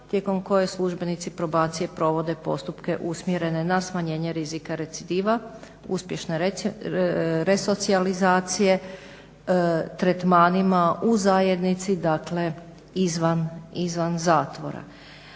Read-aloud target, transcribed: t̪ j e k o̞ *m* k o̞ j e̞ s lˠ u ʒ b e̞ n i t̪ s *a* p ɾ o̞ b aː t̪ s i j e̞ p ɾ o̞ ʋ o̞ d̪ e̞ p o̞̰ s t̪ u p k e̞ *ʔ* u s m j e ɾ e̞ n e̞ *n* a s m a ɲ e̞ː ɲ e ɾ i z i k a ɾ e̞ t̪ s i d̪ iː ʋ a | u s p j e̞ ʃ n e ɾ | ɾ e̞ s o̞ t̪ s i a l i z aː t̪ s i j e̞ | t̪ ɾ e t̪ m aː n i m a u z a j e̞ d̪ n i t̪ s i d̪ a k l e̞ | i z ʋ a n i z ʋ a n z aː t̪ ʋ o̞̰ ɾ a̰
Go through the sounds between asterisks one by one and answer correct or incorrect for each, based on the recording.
correct, incorrect, correct, correct

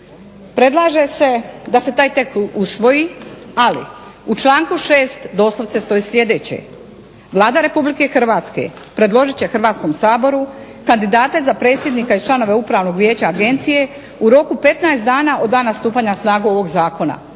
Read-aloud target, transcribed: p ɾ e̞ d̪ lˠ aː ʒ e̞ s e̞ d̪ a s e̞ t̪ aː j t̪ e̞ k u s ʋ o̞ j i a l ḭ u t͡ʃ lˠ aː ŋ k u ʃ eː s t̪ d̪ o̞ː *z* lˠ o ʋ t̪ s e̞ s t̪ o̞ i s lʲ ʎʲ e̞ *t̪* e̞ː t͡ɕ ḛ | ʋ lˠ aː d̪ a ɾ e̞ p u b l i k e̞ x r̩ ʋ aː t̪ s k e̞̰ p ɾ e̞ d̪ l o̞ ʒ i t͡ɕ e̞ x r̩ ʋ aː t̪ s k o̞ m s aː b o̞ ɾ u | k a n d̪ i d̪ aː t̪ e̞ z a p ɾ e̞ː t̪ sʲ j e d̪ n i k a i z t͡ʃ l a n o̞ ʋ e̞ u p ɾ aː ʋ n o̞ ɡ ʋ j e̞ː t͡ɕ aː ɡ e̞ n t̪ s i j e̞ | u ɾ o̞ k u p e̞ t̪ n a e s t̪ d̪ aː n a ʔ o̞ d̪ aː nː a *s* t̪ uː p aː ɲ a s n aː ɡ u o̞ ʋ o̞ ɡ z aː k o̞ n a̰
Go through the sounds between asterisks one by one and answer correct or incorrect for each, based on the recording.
incorrect, incorrect, correct

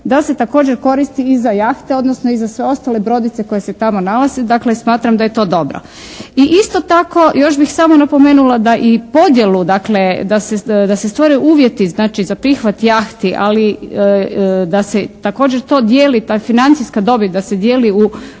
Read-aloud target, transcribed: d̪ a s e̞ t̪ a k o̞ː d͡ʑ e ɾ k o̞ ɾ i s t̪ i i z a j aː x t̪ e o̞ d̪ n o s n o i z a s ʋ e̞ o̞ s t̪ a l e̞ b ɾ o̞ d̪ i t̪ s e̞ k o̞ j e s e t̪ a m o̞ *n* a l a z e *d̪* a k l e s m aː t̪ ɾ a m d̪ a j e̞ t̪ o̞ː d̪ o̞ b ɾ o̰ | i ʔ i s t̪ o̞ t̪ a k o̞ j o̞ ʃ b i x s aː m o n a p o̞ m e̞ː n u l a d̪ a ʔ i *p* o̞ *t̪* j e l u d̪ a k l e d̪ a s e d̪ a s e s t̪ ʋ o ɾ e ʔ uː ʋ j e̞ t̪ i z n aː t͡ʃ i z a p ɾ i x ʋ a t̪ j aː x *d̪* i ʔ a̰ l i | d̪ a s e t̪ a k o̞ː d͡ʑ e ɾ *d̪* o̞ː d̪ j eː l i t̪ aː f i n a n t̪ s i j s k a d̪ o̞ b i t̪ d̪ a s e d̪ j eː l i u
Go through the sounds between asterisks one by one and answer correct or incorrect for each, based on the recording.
correct, correct, correct, incorrect, incorrect, incorrect

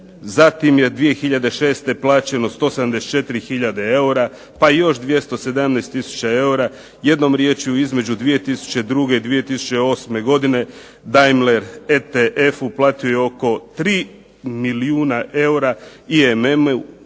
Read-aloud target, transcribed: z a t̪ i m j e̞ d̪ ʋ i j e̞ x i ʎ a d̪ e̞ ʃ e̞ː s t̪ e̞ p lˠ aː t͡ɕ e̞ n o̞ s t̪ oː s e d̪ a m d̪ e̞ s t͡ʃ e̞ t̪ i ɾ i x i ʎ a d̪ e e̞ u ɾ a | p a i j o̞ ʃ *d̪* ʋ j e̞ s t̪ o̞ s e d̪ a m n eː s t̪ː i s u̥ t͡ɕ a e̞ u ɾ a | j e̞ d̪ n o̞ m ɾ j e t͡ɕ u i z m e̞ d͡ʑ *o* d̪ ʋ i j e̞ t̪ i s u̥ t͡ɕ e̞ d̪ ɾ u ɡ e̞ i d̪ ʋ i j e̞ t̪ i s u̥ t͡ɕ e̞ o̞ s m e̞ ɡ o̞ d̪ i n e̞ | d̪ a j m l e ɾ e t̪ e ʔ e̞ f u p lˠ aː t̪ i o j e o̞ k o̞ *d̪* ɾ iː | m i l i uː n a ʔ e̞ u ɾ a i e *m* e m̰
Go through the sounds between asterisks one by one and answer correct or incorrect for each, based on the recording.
correct, incorrect, incorrect, correct

